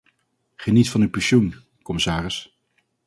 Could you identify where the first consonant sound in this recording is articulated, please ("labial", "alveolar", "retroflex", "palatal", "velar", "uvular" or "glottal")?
uvular